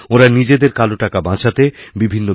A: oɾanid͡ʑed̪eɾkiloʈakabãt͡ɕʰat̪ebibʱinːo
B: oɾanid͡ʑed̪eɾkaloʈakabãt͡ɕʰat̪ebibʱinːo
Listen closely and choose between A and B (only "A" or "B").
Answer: B